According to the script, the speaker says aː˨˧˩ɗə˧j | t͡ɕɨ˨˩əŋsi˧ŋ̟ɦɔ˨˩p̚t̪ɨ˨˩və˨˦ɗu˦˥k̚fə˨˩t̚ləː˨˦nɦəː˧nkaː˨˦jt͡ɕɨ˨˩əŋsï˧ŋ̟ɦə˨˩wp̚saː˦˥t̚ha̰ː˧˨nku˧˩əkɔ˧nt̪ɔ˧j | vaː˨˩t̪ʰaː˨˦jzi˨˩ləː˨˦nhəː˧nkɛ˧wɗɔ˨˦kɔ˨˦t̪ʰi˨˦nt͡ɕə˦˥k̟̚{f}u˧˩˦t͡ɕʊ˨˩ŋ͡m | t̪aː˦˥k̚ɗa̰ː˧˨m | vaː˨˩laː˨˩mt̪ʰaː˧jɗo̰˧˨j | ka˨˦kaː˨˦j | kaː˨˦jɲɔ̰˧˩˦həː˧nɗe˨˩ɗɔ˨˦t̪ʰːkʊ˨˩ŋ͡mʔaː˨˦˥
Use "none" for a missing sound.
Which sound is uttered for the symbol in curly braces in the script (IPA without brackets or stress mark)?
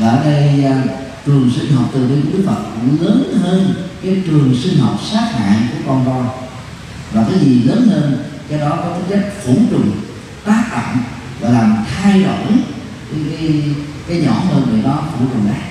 f